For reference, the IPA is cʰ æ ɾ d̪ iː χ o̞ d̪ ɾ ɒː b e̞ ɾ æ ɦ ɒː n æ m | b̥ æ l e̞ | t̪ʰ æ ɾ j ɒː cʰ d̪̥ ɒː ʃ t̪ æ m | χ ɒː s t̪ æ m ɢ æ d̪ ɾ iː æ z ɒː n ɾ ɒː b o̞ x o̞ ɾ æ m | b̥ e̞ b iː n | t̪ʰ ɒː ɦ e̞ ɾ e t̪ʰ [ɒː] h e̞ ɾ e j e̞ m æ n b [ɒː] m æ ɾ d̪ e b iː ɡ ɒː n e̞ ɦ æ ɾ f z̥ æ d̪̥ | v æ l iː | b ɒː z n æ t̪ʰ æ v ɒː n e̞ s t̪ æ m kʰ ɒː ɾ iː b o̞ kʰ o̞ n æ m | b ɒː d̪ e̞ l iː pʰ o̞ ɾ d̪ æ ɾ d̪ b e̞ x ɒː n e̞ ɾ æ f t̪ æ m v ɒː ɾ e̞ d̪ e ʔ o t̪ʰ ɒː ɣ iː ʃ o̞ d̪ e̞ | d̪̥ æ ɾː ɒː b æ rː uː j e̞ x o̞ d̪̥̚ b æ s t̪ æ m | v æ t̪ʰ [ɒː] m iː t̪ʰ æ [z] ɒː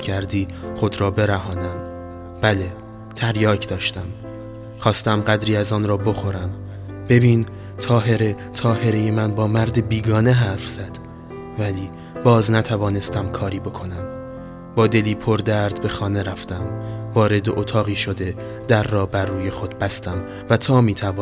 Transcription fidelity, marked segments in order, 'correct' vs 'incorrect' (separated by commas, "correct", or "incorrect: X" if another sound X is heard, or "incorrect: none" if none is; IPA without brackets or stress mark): correct, correct, correct, incorrect: v